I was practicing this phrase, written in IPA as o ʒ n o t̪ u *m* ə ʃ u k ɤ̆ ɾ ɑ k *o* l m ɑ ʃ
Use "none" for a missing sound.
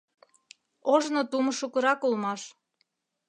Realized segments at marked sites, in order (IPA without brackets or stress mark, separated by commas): m, u